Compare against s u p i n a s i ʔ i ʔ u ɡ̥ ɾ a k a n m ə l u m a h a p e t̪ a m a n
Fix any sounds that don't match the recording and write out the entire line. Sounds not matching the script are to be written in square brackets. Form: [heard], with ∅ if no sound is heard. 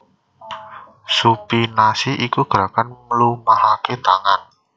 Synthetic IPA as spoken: s u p i n a s i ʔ i [k] u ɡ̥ ɾ a k a n m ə l u m a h a [k] e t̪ a [ŋ] a n